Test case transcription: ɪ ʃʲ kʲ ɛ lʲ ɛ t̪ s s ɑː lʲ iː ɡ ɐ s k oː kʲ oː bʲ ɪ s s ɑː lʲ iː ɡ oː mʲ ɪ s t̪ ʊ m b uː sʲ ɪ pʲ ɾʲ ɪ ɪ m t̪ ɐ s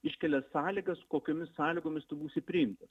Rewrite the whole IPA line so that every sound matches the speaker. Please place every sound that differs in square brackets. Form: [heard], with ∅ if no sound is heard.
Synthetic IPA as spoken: ɪ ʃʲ kʲ ɛ lʲ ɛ [∅] s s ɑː lʲ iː ɡ ɐ s k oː kʲ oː [mʲ] ɪ s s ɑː lʲ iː ɡ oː mʲ ɪ s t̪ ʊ [∅] b uː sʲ ɪ pʲ ɾʲ ɪ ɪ m t̪ ɐ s